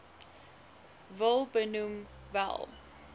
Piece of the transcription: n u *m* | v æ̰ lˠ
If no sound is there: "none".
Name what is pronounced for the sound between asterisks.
m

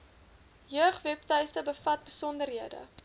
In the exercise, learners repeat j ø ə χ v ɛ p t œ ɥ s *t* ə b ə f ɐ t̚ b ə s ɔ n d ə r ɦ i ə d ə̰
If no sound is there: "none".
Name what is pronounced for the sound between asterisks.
t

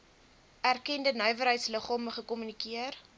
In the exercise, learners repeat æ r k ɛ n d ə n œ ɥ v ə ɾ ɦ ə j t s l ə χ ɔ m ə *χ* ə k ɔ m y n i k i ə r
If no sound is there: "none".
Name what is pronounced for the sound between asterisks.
χ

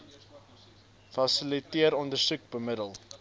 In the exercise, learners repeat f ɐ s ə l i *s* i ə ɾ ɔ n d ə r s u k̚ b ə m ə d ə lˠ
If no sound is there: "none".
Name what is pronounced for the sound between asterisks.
t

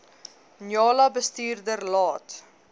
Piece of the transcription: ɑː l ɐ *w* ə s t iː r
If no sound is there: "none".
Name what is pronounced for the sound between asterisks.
b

